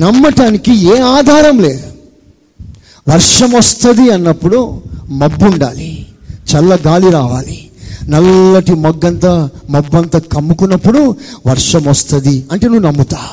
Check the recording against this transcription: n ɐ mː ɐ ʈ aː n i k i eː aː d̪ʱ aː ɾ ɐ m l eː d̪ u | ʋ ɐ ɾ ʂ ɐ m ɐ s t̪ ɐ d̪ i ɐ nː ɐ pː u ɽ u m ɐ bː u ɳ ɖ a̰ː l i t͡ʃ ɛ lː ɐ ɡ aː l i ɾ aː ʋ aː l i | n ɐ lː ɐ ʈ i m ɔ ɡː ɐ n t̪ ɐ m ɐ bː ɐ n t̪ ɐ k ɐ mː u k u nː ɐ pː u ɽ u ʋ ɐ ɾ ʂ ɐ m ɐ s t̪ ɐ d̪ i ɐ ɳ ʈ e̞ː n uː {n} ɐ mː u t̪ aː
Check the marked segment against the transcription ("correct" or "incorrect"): correct